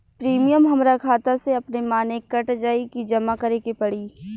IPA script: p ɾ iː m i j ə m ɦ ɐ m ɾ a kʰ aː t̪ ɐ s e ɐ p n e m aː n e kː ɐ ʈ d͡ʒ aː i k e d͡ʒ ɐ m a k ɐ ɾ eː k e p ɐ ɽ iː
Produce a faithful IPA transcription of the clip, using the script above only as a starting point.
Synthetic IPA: p ɾ iː m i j ə m ɦ ɐ m ɾ a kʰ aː t̪ a s e ɐ p n e m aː n e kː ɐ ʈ d͡ʒ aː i k i d͡ʒ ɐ m a k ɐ ɾ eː k e p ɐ ɽ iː